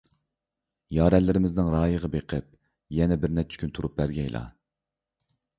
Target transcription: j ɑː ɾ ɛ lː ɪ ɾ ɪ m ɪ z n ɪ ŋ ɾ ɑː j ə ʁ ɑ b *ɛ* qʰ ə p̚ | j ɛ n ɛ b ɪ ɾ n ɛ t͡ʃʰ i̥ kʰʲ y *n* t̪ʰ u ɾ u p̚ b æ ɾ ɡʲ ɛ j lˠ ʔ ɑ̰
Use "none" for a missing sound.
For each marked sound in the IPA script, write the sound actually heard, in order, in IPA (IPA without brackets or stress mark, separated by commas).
e, n